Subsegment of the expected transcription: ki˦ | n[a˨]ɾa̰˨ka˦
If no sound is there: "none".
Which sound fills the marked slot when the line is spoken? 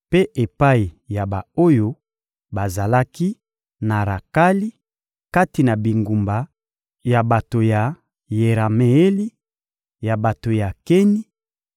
a˨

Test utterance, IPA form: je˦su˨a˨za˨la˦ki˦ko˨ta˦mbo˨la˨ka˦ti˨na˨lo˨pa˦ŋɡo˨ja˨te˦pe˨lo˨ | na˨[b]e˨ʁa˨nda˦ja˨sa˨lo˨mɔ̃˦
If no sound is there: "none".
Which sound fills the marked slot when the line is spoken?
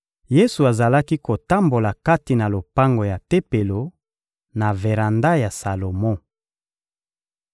v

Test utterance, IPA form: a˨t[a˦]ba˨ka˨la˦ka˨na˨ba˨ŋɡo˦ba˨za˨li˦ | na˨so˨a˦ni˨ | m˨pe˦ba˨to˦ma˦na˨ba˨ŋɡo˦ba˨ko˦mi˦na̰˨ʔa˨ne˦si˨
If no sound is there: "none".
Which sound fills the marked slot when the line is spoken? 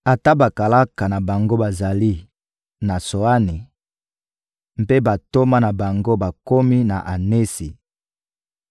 a˦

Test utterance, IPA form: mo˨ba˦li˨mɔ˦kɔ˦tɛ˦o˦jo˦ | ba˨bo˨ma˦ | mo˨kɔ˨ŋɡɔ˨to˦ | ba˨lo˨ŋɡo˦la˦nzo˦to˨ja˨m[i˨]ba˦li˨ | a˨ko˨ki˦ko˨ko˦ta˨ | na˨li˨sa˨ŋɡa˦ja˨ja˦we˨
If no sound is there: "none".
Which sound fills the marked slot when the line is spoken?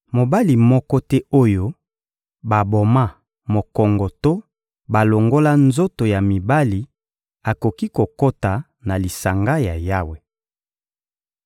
i˨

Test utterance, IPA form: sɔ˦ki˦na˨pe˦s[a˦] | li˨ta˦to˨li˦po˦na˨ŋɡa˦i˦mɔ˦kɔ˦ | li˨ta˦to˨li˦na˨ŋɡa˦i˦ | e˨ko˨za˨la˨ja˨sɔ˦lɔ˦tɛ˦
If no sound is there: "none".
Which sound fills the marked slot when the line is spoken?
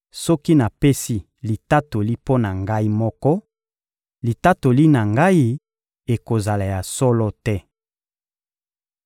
i˦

